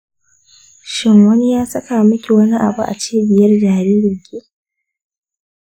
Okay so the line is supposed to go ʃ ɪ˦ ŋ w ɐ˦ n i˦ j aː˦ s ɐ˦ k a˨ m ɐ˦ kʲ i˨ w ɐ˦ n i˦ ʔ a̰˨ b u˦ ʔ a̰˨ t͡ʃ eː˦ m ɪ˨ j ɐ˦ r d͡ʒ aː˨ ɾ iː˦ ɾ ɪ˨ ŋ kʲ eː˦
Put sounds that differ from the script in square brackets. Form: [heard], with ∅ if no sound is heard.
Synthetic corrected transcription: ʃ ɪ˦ ŋ w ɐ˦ n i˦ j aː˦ s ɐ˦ k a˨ m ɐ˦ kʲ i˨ w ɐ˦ n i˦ ʔ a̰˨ b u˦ ʔ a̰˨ t͡ʃ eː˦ [b] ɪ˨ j ɐ˦ r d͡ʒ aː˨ ɾ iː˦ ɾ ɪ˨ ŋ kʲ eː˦